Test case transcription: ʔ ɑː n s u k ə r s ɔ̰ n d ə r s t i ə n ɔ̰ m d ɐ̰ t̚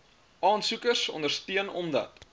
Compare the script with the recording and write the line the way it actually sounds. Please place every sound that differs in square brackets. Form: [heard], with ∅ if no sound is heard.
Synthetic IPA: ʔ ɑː n s u k ə r s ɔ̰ n d ə r s t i ə n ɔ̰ m d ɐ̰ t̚